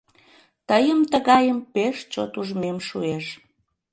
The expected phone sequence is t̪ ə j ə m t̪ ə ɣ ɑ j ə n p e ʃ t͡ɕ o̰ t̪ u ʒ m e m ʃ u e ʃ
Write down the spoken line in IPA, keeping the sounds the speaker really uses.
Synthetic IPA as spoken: t̪ ə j ə m t̪ ə ɣ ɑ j ə m p e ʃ t͡ɕ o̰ t̪ u ʒ m e m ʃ u e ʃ